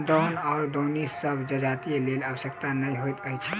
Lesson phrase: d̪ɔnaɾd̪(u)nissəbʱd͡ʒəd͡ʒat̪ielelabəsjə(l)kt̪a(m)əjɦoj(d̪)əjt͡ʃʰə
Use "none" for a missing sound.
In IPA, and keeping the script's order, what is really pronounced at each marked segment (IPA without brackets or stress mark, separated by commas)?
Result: o, none, n, t̪